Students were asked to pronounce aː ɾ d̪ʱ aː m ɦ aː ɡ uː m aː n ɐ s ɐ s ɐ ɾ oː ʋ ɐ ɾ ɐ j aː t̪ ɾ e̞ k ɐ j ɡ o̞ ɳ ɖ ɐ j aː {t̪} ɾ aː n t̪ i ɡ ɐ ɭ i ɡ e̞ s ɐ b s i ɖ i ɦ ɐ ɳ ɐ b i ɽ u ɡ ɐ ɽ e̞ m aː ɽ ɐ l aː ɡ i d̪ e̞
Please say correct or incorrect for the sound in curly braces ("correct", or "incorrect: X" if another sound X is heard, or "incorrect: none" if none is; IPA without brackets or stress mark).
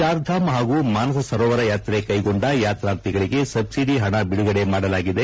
correct